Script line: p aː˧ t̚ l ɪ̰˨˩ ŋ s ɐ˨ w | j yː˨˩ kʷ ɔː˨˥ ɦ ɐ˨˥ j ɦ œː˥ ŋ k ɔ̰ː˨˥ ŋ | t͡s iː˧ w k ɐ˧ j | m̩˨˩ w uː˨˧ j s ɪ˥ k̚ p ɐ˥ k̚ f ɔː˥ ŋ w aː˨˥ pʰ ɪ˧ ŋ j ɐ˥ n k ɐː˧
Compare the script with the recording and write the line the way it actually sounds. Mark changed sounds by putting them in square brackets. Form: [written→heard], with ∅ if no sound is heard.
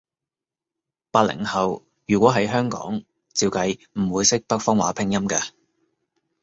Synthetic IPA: p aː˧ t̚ l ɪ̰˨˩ ŋ [s→h] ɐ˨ w | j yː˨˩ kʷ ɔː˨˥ ɦ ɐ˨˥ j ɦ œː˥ ŋ k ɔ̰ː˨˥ ŋ | t͡s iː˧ w k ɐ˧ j | m̩˨˩ w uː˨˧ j s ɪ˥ k̚ p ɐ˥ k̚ f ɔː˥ ŋ w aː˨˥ pʰ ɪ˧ ŋ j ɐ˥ [n→m] k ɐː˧

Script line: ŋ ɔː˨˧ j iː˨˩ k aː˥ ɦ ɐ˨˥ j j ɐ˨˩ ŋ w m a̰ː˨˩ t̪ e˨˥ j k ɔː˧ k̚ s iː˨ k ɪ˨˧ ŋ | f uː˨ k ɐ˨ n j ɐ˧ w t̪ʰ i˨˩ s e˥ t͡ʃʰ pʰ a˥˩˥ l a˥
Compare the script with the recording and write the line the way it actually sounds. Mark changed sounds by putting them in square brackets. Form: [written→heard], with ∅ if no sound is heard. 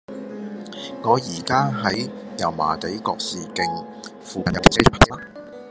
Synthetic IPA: ŋ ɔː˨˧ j iː˨˩ k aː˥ ɦ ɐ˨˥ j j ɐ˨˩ [ŋ→∅] w m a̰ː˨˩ t̪ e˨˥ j k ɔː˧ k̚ s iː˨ k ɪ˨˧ ŋ | f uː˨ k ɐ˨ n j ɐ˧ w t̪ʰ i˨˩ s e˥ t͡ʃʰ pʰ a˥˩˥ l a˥

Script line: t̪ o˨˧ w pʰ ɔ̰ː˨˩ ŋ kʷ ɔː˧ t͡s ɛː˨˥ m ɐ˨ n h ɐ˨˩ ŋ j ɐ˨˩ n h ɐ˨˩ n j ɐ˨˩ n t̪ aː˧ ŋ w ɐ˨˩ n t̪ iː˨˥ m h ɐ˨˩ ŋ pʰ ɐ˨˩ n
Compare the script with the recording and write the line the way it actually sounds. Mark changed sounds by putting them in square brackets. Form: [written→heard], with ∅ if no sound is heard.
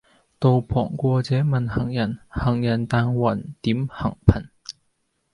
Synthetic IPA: t̪ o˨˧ w pʰ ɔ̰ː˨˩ ŋ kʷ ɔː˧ t͡s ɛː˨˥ m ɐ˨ n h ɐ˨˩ ŋ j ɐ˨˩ n h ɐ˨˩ [n→ŋ] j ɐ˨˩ n t̪ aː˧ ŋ w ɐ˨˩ n t̪ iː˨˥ m h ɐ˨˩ ŋ pʰ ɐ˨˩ n

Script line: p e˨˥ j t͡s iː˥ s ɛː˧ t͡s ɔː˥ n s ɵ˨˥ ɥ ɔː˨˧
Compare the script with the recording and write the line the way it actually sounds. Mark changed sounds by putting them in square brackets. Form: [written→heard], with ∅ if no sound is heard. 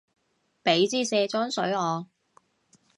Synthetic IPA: p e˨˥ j t͡s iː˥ s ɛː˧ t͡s ɔː˥ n s ɵ˨˥ ɥ ɔː˨˧

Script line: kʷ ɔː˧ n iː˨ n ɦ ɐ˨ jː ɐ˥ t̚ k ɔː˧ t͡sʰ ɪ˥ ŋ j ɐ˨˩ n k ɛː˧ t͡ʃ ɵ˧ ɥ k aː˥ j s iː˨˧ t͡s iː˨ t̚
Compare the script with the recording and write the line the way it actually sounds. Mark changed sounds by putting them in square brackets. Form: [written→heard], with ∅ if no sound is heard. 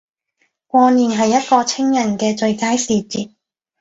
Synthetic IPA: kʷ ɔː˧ n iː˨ n ɦ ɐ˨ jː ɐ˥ t̚ k ɔː˧ t͡sʰ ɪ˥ ŋ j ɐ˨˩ n k ɛː˧ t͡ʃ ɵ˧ ɥ k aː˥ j s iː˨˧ t͡s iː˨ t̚

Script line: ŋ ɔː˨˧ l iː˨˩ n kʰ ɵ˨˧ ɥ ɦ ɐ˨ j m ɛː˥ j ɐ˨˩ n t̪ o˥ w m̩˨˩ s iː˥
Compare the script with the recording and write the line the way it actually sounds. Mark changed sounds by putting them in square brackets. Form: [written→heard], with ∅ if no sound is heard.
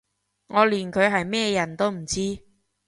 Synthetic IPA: ŋ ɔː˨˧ l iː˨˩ n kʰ ɵ˨˧ ɥ ɦ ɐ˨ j m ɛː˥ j ɐ˨˩ n t̪ o˥ w m̩˨˩ [s→t͡s] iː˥

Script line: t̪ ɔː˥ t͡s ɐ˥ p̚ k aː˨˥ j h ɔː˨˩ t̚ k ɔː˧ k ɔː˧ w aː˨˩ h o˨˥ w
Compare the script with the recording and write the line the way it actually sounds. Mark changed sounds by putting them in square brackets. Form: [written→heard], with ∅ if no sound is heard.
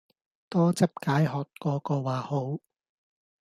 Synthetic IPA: t̪ ɔː˥ t͡s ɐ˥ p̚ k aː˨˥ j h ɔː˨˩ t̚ k ɔː˧ k ɔː˧ w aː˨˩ h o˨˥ w

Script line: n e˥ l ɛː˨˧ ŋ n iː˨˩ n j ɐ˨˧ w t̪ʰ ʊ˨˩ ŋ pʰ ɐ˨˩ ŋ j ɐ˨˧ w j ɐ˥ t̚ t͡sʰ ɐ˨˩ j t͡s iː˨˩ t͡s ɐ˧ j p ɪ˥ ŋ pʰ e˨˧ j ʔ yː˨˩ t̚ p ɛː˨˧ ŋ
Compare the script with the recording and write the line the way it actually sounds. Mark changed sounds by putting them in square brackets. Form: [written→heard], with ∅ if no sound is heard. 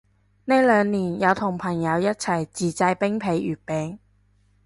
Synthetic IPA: n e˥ l [ɛː˨˧→œː˨˧] ŋ n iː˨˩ n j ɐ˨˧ w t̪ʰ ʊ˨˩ ŋ pʰ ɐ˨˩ ŋ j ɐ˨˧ w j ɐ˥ t̚ t͡sʰ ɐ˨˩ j t͡s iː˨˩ t͡s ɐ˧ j p ɪ˥ ŋ pʰ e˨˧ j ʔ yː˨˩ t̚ p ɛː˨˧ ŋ

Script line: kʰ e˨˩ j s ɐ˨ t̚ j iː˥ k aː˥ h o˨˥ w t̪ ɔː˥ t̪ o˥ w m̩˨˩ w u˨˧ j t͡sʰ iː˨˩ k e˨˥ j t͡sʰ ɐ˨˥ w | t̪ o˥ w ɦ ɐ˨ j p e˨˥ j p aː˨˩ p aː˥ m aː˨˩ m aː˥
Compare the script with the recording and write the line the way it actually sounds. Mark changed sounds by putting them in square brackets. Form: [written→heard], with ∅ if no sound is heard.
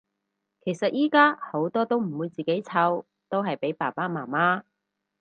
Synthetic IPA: kʰ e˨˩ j s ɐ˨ t̚ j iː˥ k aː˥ h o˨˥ w t̪ ɔː˥ t̪ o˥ w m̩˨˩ w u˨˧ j [t͡sʰ→t͡s] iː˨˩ k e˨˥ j t͡sʰ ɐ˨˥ w | t̪ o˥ w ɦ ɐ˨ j p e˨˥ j p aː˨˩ p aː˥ m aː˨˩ m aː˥

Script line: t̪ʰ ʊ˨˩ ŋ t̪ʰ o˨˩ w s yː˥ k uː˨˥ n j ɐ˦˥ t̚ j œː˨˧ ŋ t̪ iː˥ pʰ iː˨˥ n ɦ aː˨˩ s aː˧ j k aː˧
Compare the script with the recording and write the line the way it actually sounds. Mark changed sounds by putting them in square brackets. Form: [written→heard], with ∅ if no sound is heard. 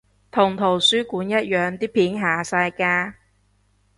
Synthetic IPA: t̪ʰ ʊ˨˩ ŋ t̪ʰ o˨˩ w s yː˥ k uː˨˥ n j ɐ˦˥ t̚ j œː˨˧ ŋ t̪ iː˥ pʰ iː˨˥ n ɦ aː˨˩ s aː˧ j k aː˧

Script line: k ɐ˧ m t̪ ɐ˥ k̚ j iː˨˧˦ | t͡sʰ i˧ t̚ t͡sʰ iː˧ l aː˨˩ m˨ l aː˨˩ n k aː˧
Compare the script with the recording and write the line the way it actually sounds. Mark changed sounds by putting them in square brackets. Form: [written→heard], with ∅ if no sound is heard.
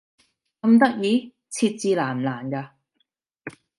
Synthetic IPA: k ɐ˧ m t̪ ɐ˥ k̚ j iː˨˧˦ | t͡sʰ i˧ t̚ [t͡sʰ→t͡s] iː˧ l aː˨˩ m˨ l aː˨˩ n k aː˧

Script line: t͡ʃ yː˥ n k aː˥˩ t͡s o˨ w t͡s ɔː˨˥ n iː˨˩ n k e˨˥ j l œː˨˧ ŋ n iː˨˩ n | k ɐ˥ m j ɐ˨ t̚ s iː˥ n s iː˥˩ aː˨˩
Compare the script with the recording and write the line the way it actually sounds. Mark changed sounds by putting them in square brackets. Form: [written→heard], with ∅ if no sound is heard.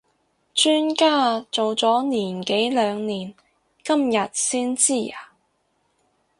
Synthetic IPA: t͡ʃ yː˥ n k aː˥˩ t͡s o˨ w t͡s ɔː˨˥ n iː˨˩ n k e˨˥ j l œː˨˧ ŋ n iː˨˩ n | k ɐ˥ m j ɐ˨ t̚ s iː˥ n [s→t͡s] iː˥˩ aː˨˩

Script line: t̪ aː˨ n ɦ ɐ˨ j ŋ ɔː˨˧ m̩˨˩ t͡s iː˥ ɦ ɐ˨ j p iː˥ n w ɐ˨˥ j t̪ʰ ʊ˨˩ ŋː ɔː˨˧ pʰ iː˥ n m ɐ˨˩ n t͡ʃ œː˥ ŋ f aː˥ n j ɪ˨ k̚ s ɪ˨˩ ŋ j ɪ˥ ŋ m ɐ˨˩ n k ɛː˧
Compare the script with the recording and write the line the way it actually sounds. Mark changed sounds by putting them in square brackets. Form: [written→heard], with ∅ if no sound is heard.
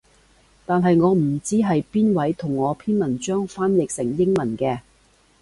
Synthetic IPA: t̪ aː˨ n ɦ ɐ˨ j ŋ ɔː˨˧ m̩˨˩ t͡s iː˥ ɦ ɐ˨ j p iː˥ n w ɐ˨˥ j t̪ʰ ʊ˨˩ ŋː ɔː˨˧ pʰ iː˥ n m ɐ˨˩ n t͡ʃ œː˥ ŋ f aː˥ n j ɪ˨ k̚ s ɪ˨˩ ŋ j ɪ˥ ŋ m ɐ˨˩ n k ɛː˧

